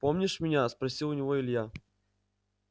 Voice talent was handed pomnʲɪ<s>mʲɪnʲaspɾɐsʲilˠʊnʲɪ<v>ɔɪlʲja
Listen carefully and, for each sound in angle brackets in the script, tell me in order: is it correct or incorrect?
incorrect: ʂ, correct

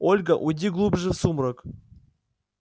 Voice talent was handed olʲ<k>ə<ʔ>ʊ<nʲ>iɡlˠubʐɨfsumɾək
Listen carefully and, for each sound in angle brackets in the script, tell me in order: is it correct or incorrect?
incorrect: ɡ, correct, incorrect: dʲ

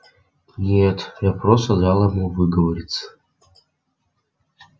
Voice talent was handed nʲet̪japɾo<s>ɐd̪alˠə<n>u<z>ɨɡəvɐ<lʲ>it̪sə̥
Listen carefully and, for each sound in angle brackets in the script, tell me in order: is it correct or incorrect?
correct, incorrect: m, incorrect: v, incorrect: ɾʲ

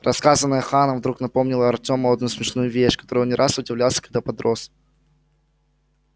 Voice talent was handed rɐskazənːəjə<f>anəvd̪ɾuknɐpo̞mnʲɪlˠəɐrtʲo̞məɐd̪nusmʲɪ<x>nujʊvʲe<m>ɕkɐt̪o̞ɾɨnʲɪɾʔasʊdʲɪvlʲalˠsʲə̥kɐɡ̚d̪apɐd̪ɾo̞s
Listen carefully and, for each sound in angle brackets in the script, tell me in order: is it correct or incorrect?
incorrect: x, incorrect: ʂ, incorrect: none

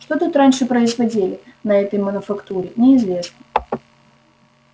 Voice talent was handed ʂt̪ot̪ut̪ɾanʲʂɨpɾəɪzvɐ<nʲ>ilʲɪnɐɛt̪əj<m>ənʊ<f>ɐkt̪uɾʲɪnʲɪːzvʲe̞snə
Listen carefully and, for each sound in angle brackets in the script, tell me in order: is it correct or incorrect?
incorrect: dʲ, correct, correct

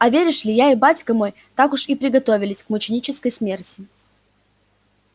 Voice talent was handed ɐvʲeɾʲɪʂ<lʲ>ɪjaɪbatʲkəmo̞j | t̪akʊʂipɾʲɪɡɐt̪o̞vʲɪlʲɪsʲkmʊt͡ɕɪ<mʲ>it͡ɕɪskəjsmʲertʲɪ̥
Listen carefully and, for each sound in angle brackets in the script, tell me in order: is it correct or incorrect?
correct, incorrect: nʲ

